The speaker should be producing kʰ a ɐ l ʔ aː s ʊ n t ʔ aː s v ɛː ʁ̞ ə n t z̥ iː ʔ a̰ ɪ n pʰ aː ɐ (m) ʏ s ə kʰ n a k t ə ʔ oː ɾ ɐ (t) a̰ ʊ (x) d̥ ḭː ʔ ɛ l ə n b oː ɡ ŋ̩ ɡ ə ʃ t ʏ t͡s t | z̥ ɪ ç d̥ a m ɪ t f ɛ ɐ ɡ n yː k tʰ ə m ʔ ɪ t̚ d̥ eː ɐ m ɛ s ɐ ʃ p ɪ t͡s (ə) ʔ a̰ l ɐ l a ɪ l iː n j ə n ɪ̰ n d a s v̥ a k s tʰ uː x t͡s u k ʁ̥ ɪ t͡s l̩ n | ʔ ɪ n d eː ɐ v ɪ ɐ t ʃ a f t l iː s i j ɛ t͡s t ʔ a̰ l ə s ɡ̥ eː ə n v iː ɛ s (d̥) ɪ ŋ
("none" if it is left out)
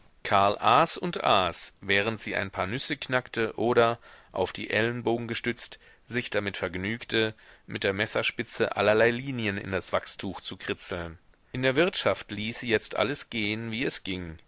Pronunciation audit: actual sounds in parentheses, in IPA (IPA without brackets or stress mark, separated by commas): n, ʔ, f, ə, ɡ̥